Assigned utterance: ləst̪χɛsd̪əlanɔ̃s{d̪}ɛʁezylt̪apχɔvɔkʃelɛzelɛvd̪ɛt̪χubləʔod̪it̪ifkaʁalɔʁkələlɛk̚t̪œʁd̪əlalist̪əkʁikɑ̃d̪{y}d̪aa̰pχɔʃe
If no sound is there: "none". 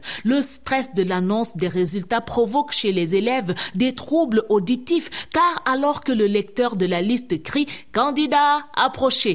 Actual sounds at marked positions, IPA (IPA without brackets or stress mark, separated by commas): d̪, i